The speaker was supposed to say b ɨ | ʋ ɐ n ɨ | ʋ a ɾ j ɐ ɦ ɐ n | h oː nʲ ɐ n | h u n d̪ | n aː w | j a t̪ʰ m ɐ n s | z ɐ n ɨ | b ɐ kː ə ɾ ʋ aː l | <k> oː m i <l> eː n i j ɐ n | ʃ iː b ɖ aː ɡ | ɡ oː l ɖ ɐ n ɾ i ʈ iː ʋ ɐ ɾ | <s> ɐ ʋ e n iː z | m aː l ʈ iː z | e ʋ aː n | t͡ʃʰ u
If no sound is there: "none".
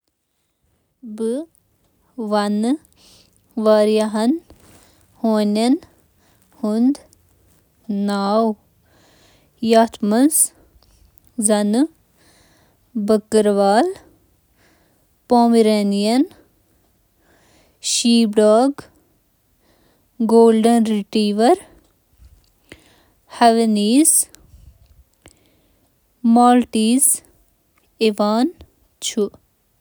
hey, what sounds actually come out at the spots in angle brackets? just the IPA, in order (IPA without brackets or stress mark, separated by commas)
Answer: p, ɾ, h